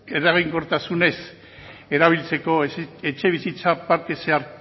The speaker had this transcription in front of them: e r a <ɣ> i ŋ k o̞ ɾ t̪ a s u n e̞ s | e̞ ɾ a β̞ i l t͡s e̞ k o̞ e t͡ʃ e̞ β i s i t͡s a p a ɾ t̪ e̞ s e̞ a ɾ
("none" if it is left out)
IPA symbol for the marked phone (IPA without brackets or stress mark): ɣ